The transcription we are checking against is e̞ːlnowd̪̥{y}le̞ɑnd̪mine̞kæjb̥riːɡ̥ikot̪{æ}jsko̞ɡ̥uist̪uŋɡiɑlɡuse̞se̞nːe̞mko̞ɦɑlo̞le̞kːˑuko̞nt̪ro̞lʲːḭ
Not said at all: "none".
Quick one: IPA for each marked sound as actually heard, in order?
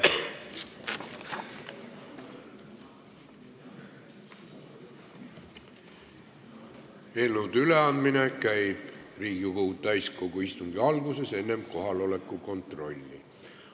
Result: y, æ

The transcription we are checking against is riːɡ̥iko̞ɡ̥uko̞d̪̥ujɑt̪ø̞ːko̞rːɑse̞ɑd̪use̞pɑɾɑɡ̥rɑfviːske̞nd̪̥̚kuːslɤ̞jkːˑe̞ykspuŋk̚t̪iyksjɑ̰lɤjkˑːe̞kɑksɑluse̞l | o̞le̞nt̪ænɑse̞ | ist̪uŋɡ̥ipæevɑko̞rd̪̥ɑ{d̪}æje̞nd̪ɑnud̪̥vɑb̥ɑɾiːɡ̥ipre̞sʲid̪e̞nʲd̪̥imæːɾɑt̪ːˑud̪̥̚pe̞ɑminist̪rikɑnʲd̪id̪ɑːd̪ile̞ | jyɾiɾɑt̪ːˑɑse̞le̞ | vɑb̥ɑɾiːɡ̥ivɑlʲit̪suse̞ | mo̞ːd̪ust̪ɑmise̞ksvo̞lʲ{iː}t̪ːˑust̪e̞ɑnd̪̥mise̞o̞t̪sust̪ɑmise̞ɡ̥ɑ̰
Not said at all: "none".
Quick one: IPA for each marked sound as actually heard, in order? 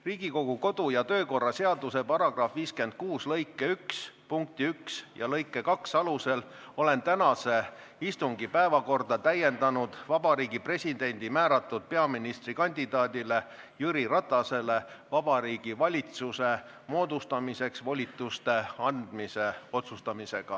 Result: t̪, i

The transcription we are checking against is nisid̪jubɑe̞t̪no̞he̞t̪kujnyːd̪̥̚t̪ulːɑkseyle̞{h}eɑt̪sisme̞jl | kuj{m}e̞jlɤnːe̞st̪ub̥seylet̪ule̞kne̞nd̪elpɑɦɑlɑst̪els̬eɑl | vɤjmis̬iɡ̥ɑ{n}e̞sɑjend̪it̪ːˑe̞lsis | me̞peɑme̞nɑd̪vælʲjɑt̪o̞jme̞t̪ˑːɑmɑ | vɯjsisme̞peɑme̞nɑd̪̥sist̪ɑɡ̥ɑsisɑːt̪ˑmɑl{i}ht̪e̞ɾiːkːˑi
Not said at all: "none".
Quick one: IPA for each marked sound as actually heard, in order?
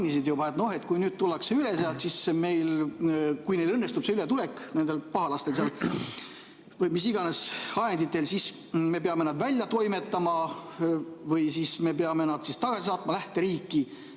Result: s, n, n, æ

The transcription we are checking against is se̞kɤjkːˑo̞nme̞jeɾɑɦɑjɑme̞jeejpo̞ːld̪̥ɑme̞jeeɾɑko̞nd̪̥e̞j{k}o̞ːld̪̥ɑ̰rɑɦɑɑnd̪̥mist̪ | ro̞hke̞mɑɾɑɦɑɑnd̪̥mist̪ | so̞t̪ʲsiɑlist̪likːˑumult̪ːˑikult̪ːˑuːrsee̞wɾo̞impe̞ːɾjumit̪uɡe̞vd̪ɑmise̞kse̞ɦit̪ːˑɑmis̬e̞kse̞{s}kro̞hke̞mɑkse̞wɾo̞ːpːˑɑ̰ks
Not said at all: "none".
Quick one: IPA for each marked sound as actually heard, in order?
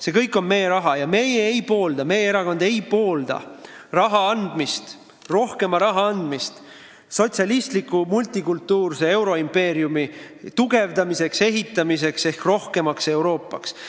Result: p, h

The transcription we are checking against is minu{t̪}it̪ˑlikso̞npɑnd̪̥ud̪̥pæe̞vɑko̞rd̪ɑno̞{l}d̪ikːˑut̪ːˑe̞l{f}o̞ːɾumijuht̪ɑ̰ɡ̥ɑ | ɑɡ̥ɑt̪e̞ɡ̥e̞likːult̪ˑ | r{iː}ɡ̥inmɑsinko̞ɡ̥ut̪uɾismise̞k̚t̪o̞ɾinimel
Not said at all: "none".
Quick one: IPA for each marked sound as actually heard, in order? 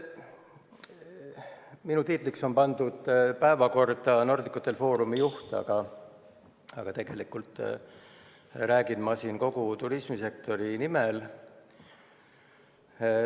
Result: t̪, r, f, æː

